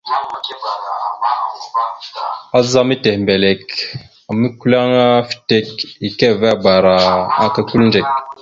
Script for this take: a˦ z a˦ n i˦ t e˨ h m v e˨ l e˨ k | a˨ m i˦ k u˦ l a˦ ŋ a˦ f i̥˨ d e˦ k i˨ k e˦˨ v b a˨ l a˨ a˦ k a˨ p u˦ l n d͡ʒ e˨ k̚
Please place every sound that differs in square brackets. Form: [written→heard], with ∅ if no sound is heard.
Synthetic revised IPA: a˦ z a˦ [n→m] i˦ t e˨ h m [v→b] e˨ l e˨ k | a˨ m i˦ k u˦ l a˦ ŋ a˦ f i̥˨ [d→t] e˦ k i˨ k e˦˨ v b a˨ [l→ɾ] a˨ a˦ k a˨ [p→k] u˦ l n d͡ʒ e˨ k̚